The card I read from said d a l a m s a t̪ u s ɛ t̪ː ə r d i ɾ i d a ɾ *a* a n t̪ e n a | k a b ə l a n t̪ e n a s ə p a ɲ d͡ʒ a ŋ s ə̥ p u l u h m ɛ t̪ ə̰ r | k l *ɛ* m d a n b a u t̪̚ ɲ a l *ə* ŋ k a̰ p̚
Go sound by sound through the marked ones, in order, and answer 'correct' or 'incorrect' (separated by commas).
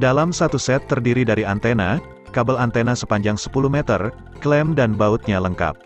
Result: incorrect, correct, correct